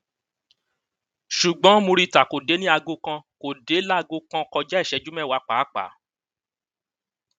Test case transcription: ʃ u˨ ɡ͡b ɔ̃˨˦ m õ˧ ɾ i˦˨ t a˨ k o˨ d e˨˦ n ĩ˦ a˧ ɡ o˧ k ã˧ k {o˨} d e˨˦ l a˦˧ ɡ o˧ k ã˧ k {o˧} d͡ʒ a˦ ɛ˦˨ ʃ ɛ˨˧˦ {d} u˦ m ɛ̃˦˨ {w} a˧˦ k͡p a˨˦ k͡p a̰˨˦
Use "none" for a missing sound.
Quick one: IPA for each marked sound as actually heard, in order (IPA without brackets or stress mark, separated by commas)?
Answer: o˨, ɔ˧, d͡ʒ, w